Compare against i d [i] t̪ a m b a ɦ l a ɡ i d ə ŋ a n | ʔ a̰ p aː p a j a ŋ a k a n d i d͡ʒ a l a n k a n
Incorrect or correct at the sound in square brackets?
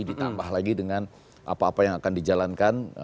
correct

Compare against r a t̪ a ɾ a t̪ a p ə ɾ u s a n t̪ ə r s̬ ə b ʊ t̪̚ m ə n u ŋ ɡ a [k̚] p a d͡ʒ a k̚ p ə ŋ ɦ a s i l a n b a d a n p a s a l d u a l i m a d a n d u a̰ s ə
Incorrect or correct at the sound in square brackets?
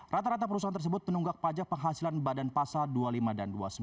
correct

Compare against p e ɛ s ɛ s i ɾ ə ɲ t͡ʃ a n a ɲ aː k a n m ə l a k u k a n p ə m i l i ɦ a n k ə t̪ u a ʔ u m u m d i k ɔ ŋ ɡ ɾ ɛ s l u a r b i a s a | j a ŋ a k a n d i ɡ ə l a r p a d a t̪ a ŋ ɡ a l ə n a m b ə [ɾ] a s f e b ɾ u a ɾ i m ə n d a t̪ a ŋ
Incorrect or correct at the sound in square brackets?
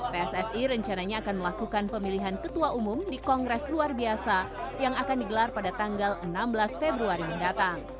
incorrect: l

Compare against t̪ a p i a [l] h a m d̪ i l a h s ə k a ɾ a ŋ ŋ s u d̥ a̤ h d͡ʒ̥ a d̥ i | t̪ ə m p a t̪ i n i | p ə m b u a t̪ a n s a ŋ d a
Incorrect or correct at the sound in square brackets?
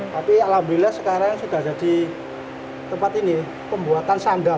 correct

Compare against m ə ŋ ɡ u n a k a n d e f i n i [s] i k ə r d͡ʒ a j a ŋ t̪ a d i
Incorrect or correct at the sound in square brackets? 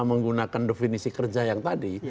correct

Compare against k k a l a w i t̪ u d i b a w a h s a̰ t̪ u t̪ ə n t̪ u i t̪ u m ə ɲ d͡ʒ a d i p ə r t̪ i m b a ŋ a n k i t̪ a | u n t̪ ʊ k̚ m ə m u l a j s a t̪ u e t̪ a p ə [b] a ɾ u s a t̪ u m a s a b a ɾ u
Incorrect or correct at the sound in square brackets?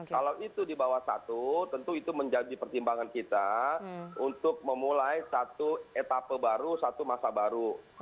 correct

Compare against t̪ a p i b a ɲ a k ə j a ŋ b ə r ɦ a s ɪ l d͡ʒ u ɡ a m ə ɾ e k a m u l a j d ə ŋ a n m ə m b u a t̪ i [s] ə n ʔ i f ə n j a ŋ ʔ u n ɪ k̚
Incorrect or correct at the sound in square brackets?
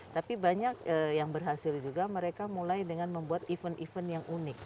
incorrect: f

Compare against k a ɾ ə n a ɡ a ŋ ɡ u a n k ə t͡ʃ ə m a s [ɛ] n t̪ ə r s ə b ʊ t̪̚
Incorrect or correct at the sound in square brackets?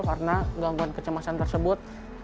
incorrect: a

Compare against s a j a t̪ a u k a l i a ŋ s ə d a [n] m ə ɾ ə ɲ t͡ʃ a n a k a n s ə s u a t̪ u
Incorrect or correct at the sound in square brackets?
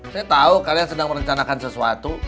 incorrect: ŋ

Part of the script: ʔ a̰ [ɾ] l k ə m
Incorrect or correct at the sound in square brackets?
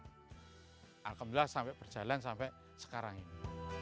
incorrect: none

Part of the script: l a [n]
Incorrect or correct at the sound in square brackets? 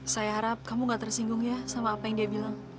incorrect: ŋ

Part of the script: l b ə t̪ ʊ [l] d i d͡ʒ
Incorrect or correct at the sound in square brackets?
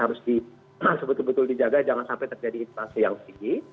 correct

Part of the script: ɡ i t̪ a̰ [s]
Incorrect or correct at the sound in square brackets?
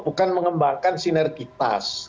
correct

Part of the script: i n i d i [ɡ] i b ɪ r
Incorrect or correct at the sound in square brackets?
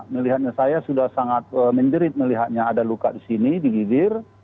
correct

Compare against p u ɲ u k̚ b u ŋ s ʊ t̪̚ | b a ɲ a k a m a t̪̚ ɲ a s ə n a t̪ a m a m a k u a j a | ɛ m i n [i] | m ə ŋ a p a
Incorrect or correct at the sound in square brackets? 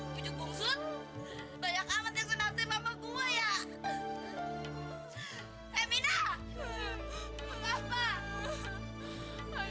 incorrect: a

